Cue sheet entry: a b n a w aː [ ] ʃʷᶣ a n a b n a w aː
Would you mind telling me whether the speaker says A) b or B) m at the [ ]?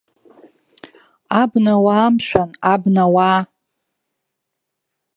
B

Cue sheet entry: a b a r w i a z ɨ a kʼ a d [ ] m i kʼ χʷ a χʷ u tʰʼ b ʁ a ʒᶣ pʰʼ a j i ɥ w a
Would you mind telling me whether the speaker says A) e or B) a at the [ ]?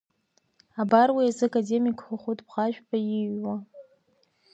A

